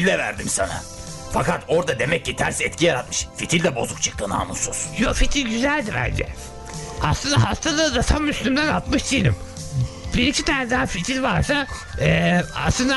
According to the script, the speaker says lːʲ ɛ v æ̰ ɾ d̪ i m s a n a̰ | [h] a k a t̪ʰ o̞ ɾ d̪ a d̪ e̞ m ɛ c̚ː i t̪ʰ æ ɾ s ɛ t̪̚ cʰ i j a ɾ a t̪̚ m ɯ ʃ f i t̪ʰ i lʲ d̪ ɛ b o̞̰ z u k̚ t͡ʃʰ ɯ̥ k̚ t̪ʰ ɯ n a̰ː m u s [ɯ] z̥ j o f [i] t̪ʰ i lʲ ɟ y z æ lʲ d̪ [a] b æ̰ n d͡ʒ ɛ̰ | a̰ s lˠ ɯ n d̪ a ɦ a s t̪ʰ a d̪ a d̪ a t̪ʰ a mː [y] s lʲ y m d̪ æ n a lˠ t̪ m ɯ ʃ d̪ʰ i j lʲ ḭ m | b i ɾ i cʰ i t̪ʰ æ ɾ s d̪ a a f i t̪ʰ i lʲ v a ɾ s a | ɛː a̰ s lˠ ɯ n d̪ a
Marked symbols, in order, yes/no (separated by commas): no, no, yes, no, yes